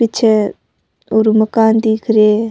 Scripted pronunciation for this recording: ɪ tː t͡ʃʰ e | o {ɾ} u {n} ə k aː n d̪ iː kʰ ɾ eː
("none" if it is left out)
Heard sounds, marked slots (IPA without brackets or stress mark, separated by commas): ɾ, m